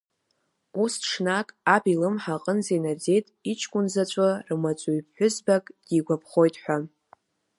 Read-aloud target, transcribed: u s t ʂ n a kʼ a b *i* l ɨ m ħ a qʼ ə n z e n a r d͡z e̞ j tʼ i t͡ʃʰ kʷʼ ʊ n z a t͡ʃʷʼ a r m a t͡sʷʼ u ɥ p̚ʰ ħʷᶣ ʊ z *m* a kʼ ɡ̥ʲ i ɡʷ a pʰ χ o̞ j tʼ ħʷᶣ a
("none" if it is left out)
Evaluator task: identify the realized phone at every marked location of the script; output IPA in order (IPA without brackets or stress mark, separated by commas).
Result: i, b